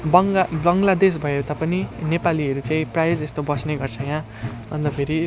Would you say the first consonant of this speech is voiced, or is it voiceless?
voiced